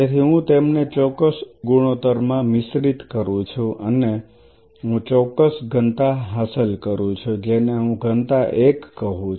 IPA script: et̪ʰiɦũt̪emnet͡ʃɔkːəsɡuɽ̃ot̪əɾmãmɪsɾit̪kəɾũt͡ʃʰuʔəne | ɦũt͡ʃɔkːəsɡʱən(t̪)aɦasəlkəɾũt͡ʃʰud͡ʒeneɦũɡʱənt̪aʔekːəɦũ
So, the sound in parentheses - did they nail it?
yes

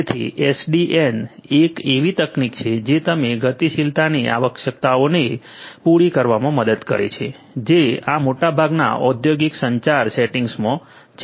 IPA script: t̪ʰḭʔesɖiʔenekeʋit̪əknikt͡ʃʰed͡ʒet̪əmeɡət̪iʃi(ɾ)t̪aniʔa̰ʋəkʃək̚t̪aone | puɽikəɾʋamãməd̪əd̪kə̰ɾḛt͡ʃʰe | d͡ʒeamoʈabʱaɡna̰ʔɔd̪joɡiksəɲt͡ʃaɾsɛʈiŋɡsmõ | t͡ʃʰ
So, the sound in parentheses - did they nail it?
no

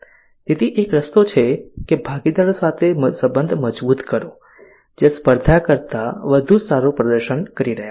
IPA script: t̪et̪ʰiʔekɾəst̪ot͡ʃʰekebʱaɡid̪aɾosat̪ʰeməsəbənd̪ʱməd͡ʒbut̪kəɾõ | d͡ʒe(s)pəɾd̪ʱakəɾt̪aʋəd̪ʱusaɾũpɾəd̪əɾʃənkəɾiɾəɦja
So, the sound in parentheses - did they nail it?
yes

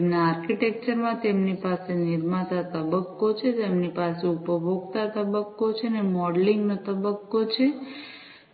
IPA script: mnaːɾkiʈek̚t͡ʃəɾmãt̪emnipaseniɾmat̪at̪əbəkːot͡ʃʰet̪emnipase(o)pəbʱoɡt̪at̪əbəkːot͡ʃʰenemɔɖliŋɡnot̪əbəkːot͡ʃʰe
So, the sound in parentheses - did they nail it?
no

